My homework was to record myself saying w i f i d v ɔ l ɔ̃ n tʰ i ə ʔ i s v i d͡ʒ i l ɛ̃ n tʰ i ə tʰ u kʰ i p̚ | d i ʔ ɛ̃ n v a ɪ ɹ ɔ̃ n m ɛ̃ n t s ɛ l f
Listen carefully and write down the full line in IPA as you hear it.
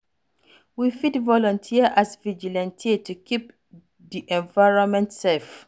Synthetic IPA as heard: w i f i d v ɔ l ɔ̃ n tʰ i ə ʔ a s v i d͡ʒ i l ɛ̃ n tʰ i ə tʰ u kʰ i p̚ | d i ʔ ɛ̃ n v a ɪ ɹ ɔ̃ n m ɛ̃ n t s ɛ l f

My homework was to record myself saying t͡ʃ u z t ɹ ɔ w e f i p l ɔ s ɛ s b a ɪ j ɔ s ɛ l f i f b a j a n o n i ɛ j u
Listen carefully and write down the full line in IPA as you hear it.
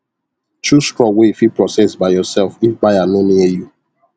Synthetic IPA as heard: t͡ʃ u s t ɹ ɔ w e f i p ɹ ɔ s ɛ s b a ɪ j ɔ s ɛ l f i f b a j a n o n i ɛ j u

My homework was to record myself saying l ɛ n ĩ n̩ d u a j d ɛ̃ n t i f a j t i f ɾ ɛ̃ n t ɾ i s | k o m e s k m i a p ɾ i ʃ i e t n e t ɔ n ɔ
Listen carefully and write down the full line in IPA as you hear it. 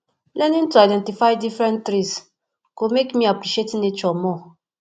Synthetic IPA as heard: l ɛ n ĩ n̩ t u a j d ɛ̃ n t i f a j d i f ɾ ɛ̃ n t ɾ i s | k o m e k m i a p ɾ i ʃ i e t n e t͡ʃ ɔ m ɔ

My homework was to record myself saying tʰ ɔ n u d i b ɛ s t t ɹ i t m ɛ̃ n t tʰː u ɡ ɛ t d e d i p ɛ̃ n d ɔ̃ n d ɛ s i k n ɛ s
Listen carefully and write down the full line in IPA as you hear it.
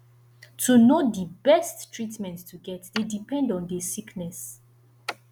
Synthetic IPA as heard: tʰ u n o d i b ɛ s t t ɹ i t m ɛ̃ n t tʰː u ɡ ɛ t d e d i p ɛ̃ n d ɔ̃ n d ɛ s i k n ɛ s

